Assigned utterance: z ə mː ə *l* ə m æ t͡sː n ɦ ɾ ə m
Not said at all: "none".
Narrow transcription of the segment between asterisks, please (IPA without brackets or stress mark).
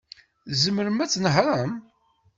ɾ